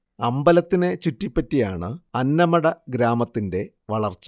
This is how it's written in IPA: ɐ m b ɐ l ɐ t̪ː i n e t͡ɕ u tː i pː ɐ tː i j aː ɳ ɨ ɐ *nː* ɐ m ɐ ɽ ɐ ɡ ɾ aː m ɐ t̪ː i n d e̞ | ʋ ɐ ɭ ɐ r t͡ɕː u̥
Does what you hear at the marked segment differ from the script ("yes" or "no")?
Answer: no